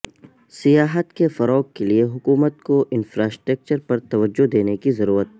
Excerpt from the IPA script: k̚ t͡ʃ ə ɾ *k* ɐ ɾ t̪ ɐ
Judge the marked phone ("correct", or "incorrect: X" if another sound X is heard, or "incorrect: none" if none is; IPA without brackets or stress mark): incorrect: p